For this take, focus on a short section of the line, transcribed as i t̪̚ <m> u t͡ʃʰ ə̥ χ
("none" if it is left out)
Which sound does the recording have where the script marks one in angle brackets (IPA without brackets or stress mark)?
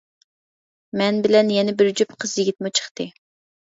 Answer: m